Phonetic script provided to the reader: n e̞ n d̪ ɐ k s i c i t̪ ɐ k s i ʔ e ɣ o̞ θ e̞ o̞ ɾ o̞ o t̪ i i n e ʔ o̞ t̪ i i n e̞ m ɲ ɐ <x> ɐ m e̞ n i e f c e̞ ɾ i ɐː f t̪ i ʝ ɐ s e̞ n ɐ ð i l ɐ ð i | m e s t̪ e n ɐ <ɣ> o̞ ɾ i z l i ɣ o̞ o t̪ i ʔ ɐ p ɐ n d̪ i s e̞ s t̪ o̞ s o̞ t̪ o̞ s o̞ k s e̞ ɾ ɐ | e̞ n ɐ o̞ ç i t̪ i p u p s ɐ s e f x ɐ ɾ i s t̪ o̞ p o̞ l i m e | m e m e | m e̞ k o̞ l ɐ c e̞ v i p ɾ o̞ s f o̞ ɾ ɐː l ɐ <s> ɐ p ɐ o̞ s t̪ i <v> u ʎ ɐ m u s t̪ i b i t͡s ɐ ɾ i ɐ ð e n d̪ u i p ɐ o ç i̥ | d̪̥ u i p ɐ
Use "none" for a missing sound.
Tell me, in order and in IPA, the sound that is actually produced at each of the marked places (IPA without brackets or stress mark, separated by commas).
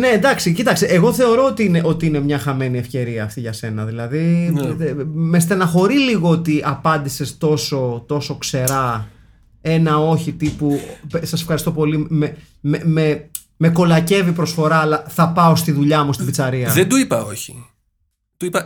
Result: x, x, θ, ð